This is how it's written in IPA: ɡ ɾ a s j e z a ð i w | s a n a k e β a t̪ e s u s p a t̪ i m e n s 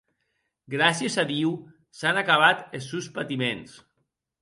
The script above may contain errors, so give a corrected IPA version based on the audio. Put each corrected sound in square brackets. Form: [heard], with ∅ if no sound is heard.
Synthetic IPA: ɡ ɾ a s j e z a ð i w | s a n a k [a] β a t̪ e s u s p a t̪ i m e n s